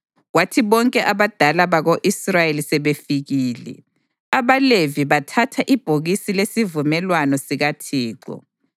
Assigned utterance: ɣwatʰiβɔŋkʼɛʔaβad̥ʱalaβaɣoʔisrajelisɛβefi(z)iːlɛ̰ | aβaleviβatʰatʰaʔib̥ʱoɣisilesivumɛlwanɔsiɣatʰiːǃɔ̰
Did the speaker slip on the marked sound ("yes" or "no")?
yes